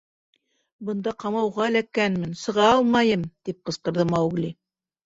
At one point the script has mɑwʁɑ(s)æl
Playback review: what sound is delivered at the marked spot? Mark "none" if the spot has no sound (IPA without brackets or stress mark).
none